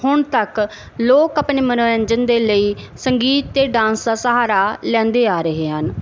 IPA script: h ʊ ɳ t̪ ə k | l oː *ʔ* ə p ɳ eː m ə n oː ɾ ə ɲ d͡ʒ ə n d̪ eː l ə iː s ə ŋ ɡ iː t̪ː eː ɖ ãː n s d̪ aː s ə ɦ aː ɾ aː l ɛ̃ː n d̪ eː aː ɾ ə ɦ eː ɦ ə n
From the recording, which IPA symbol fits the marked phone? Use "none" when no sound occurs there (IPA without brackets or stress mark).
k